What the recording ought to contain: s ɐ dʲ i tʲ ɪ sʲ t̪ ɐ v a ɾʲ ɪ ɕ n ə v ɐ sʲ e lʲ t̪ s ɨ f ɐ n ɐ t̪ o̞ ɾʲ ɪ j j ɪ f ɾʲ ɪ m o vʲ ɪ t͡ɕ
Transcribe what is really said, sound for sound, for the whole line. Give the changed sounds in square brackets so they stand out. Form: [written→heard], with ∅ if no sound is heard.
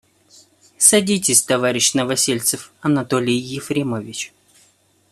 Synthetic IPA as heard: s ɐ dʲ i tʲ ɪ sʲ t̪ ɐ v a ɾʲ ɪ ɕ n ə v ɐ sʲ e lʲ t̪ s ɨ f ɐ n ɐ t̪ o̞ [ɾʲ→lʲ] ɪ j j ɪ f ɾʲ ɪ m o vʲ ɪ t͡ɕ